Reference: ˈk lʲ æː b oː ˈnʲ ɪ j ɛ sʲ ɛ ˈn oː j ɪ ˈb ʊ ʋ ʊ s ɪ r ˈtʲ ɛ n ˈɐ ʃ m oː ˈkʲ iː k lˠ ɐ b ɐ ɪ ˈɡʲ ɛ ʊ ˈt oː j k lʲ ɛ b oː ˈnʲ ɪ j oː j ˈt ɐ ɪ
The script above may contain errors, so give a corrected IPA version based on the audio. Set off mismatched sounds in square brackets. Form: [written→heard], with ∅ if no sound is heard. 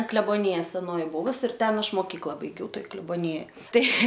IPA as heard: ˈk lʲ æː b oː ˈnʲ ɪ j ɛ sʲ ɛ ˈn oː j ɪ ˈb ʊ ʋ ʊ s ɪ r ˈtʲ ɛ n ˈɐ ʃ m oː ˈkʲ iː k lˠ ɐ b ɐ ɪ ˈɡʲ ɛ ʊ ˈt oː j k lʲ ɛ b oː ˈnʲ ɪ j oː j ˈt ɐ ɪ